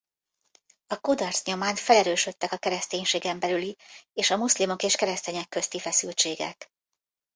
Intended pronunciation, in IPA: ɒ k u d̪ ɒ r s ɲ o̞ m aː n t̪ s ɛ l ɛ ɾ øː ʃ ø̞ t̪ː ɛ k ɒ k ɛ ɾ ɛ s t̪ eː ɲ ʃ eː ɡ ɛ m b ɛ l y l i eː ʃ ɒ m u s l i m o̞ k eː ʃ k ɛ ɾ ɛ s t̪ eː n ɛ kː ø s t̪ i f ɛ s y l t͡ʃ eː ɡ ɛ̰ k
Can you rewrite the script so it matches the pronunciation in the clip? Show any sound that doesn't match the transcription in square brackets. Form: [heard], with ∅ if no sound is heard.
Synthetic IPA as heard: ɒ k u d̪ ɒ r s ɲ o̞ m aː n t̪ [f] ɛ l ɛ ɾ øː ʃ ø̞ t̪ː ɛ k ɒ k ɛ ɾ ɛ s t̪ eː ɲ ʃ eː ɡ ɛ m b ɛ l y l i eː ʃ ɒ m u s l i m o̞ k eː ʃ k ɛ ɾ ɛ s t̪ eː [ɲ] ɛ kː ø s t̪ i f ɛ s y l t͡ʃ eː ɡ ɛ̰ k